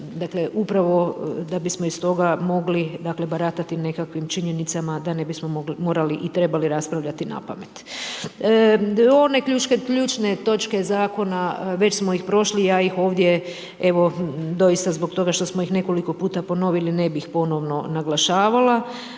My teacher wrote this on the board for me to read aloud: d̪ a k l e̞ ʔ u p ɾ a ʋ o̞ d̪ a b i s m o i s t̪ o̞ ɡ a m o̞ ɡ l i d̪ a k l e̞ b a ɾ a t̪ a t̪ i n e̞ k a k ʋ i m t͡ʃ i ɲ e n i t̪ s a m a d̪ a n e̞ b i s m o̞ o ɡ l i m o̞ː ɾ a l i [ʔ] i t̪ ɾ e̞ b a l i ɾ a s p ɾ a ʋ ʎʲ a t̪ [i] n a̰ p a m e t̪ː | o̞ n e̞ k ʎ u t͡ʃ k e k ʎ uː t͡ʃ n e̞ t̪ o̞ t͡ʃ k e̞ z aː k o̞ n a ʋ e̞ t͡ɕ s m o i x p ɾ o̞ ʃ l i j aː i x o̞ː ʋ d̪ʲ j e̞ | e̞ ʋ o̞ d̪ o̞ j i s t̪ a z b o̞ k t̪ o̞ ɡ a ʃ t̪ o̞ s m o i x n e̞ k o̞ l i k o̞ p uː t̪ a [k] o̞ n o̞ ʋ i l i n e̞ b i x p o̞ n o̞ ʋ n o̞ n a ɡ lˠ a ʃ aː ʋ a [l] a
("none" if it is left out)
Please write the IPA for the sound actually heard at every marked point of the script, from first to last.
ʔ, i, p, l

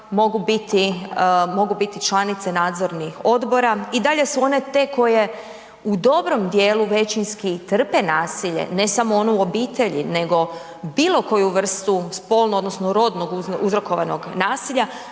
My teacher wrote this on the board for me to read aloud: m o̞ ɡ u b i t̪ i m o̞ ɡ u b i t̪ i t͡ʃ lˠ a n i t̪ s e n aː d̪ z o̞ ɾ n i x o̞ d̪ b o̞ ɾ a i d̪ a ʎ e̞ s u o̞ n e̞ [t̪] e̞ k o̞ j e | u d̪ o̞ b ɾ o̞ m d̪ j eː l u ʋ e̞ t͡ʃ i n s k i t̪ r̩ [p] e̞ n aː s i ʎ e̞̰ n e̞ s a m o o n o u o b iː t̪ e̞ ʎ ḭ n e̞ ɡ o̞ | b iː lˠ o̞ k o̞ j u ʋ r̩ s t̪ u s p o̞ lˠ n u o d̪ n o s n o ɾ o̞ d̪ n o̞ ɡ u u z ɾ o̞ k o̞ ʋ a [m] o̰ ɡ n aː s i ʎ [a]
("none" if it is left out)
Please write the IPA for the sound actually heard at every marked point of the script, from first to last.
t̪, p, n, a

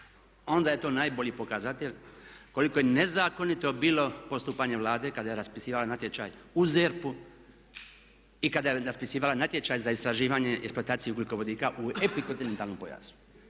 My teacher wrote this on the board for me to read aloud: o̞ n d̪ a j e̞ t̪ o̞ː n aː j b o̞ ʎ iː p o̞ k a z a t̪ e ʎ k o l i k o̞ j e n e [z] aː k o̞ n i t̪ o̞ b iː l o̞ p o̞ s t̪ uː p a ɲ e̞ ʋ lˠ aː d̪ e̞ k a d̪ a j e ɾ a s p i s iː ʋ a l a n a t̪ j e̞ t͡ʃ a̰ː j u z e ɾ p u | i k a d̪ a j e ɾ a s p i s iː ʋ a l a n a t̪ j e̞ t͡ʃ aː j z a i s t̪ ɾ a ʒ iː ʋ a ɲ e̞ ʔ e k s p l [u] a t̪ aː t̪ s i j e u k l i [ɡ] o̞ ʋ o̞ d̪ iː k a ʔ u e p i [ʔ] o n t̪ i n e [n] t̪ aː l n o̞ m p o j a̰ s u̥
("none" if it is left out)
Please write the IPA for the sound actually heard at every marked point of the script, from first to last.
z, o, k, k, n

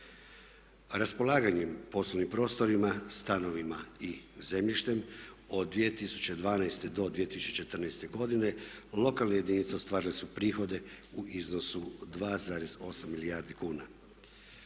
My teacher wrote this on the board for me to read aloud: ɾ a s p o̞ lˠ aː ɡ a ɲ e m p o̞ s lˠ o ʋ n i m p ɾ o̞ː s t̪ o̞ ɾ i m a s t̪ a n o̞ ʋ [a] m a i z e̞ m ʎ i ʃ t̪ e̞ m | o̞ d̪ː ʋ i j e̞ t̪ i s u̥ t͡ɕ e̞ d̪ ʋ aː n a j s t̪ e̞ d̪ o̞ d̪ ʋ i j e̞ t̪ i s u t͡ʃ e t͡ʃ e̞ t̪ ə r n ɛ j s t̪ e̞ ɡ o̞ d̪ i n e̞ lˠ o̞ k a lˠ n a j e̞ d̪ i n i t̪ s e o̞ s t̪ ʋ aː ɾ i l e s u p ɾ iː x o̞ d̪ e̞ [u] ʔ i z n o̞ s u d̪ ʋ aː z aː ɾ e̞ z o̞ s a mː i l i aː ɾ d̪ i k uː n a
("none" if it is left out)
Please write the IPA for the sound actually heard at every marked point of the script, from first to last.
i, u

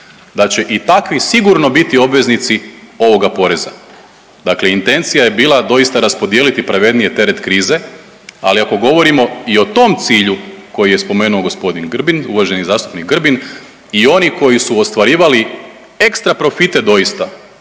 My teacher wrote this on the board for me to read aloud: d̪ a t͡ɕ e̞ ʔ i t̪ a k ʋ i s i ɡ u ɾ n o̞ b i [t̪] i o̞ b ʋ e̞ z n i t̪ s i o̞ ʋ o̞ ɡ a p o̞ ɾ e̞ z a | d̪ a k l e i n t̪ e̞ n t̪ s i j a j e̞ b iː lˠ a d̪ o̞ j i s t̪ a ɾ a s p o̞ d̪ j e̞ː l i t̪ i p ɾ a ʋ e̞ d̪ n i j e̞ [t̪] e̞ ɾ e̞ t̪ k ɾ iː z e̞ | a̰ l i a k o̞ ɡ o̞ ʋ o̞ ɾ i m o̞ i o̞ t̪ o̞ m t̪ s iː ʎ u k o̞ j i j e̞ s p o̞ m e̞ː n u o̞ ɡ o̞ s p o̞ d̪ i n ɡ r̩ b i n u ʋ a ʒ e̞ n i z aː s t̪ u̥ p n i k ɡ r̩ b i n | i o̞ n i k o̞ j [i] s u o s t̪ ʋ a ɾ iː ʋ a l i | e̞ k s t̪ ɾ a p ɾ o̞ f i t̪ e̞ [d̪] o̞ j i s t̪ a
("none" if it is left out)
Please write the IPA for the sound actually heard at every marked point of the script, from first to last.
t̪, t̪, i, d̪

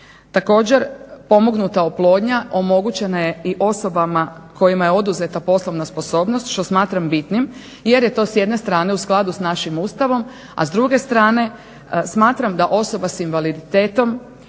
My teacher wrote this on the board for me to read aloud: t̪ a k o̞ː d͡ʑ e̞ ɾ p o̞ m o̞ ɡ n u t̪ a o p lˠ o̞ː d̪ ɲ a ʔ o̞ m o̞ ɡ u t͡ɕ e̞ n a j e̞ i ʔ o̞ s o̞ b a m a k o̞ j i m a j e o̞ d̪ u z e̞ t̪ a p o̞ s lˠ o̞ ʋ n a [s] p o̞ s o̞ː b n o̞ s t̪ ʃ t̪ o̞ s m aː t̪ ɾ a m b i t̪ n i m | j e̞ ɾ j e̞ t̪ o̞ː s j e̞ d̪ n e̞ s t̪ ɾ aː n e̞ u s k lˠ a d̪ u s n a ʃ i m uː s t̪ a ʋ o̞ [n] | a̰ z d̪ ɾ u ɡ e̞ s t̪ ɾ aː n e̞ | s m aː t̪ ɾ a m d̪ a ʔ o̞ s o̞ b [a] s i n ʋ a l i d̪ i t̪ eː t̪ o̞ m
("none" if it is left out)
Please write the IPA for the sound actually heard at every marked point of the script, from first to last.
s, m, a

